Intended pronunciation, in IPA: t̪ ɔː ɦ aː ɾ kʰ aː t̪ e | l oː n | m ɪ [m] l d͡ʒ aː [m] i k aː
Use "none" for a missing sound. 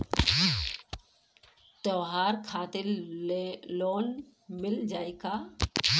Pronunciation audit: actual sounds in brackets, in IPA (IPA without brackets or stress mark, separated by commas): none, none